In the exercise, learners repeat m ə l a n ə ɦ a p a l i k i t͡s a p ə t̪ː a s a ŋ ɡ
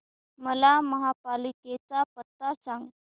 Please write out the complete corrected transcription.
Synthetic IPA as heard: m ə l a m ə ɦ a p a l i k e t͡s a p ə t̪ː a s a ŋ ɡ